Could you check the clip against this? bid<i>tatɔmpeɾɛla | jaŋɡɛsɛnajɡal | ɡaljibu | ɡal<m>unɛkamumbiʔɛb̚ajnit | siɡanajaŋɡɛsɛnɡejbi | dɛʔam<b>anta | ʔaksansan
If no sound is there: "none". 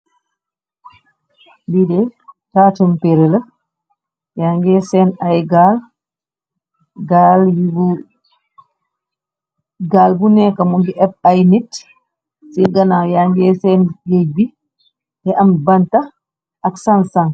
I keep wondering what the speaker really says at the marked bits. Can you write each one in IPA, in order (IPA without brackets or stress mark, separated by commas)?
ɛ, b, b